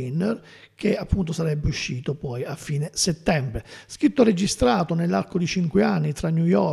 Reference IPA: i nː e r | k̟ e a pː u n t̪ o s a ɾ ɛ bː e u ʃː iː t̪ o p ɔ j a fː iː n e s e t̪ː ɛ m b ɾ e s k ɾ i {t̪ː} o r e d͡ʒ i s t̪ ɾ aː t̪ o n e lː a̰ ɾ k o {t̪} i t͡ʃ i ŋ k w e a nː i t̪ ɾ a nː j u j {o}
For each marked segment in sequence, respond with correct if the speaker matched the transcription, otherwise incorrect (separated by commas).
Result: correct, incorrect, incorrect